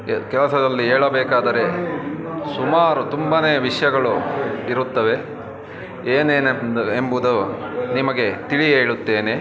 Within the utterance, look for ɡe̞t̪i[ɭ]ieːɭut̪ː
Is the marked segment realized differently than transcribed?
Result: no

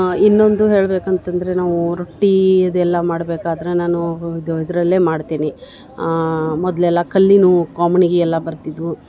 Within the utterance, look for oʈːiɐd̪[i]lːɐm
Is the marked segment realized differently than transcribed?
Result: yes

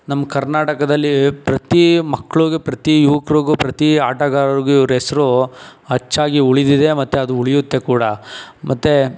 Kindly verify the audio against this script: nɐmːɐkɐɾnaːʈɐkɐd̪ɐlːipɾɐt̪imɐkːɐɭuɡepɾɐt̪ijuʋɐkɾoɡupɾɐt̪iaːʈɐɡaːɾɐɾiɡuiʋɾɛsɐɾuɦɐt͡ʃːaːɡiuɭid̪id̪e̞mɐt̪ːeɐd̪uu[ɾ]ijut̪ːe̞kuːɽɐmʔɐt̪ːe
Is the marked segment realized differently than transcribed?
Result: yes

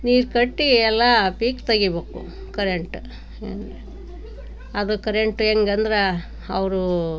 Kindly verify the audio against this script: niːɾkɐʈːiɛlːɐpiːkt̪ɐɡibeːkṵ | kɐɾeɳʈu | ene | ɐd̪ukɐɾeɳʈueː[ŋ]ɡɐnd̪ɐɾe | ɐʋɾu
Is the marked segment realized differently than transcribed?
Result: no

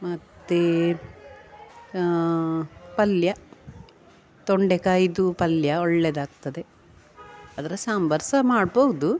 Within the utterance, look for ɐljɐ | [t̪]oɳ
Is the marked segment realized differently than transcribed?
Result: no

